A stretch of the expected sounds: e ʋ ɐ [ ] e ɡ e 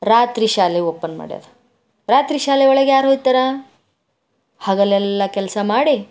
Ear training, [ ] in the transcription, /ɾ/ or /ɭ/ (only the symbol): ɭ